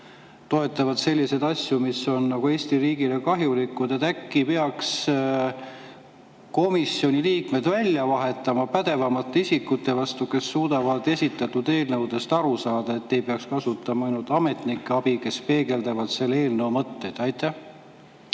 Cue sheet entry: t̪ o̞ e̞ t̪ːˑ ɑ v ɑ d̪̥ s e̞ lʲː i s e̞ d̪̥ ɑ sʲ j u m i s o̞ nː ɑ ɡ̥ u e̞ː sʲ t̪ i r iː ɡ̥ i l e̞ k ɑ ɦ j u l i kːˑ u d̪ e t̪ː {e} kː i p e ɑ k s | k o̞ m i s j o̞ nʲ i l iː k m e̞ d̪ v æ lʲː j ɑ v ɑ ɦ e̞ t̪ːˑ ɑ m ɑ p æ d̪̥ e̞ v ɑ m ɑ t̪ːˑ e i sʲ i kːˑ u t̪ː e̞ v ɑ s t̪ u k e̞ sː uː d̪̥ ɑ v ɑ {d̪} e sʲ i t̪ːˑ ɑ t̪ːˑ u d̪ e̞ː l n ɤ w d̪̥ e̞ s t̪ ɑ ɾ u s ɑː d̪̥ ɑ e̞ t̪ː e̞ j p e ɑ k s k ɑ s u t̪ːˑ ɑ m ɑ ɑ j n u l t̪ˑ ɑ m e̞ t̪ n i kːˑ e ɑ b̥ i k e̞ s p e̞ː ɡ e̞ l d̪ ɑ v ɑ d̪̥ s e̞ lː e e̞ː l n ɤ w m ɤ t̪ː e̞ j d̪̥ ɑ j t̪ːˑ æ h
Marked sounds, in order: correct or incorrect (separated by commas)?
incorrect, correct